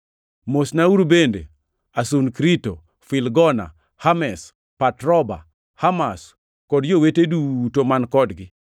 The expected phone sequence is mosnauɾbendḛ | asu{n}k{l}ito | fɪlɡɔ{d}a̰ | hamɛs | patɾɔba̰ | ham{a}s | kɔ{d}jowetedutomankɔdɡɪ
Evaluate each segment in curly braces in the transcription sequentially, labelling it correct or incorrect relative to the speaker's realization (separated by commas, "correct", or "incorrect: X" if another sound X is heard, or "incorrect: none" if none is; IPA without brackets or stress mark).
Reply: correct, incorrect: ɾ, incorrect: n, correct, correct